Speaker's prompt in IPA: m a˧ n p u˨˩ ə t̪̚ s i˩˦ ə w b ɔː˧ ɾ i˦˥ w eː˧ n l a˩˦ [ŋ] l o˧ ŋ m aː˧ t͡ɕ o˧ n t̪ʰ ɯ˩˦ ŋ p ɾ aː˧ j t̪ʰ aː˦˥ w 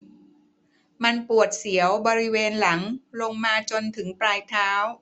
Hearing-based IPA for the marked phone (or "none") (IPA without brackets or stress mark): ŋ